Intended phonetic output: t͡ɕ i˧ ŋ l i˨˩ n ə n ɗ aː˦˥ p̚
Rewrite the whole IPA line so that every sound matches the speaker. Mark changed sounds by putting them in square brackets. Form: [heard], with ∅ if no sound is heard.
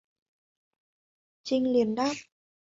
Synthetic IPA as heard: t͡ɕ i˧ ŋ l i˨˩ [∅] ə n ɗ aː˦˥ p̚